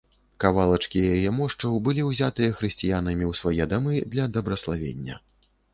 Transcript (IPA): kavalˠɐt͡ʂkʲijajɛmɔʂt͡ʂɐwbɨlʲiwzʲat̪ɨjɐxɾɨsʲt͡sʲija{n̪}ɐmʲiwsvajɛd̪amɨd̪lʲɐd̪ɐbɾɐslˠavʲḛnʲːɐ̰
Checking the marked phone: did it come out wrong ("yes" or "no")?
no